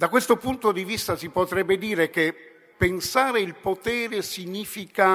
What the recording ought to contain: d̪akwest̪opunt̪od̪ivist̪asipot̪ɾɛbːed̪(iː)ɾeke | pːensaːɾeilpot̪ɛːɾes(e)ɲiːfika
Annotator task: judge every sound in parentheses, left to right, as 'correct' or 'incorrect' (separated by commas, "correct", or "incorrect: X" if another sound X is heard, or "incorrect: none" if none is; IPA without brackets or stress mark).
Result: correct, incorrect: i